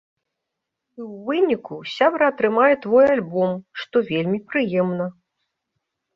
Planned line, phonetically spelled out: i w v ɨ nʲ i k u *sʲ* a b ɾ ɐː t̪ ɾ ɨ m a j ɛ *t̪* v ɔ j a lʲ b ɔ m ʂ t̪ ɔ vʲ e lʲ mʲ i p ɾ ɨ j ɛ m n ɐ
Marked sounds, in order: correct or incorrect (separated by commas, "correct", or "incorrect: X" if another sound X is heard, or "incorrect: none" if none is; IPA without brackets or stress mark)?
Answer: correct, correct